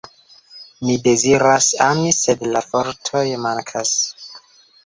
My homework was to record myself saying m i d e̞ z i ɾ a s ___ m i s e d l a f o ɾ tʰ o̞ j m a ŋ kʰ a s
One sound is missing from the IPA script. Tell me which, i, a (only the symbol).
a